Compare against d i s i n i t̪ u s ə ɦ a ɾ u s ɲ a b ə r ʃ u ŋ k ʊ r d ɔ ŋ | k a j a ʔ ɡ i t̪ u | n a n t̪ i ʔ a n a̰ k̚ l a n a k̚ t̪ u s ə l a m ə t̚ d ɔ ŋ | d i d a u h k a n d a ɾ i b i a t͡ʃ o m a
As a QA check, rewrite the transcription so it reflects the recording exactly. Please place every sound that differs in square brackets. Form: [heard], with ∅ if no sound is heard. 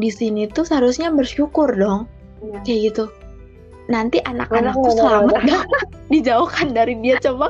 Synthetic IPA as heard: d i s i n i t̪ u s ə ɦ a ɾ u s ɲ a b ə r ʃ u [∅] k ʊ r d ɔ ŋ | k a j a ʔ ɡ i t̪ u | n a n t̪ i ʔ a n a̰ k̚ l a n a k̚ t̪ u s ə l a m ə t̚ d ɔ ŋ | d i [d͡ʒ] a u h k a n d a ɾ i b i a t͡ʃ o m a